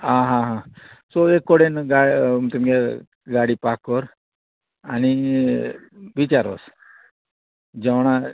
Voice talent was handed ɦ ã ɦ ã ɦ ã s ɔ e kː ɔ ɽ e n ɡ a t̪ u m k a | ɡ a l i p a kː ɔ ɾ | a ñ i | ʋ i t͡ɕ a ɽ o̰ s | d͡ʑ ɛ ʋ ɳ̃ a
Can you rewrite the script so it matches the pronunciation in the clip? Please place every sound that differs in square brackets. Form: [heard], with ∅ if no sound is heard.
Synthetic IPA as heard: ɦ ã ɦ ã ɦ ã s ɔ e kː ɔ ɽ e n ɡ a t̪ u m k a | ɡ a [ɽ] i p a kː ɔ ɾ | a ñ i | ʋ i t͡ɕ a [ɾ] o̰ s | d͡ʑ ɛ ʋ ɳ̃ a